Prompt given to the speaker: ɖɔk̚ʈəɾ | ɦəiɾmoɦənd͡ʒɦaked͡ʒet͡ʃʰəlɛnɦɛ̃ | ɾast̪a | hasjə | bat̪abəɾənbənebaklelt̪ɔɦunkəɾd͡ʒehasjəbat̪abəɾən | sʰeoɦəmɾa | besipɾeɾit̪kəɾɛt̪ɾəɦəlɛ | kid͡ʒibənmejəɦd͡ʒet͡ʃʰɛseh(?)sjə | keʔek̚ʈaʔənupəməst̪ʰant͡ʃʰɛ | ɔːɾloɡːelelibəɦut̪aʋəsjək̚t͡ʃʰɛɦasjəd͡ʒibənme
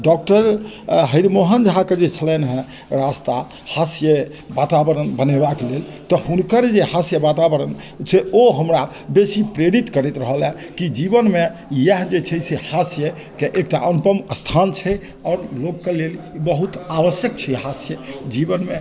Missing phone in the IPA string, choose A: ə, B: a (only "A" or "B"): B